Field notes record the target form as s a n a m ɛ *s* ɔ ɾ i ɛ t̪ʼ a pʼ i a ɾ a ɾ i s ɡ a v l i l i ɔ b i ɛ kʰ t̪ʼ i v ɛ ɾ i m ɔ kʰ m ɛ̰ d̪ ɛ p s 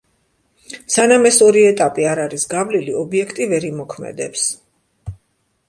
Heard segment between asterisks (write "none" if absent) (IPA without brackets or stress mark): s